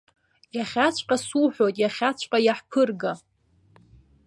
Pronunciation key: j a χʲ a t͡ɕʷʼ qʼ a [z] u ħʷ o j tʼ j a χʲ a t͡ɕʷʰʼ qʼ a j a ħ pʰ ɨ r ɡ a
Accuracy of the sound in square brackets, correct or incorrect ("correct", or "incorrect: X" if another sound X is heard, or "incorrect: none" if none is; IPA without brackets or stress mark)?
incorrect: s